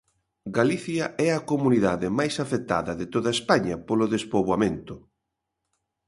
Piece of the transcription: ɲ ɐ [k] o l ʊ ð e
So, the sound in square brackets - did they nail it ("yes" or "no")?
no